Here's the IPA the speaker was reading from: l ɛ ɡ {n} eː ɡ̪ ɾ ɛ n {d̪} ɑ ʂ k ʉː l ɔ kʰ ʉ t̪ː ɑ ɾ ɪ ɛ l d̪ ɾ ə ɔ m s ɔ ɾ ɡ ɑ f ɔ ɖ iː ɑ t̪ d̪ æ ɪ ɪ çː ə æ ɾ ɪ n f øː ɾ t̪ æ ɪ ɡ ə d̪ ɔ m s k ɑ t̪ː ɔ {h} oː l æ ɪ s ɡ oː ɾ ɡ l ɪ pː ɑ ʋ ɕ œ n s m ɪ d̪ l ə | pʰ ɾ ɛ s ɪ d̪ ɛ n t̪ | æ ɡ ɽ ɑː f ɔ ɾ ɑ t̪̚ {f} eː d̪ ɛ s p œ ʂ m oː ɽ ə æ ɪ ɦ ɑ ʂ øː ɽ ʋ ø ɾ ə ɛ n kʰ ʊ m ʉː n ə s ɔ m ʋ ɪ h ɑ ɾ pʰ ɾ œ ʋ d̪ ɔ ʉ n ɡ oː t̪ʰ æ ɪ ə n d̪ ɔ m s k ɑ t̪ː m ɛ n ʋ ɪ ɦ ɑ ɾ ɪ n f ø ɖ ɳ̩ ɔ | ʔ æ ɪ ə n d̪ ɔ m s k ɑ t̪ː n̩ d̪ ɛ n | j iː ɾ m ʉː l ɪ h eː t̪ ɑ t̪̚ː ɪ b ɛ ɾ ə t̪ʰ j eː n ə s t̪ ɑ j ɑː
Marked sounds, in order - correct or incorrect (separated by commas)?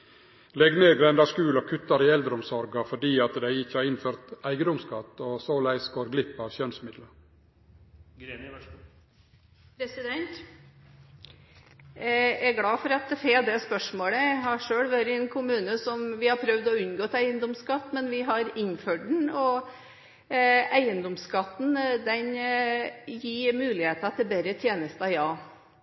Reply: correct, correct, incorrect, correct